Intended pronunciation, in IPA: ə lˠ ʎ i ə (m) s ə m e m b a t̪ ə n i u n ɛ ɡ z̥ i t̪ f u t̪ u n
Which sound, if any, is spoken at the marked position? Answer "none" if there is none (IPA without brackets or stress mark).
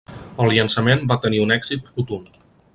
n